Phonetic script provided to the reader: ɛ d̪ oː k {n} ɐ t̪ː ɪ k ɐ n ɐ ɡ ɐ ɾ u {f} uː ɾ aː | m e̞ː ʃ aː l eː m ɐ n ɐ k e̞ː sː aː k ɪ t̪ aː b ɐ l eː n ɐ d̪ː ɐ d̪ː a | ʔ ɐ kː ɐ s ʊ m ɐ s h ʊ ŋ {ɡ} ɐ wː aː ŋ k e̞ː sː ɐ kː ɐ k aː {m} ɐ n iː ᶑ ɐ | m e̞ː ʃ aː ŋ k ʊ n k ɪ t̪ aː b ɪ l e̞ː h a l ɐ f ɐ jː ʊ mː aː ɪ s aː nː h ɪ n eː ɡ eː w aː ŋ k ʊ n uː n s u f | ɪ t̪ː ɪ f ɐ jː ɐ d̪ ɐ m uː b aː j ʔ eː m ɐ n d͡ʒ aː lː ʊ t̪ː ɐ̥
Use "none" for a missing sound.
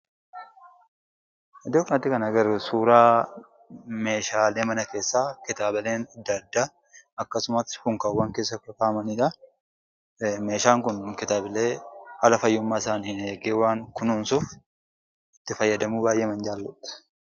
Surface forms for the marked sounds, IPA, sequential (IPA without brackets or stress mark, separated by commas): n, s, k, m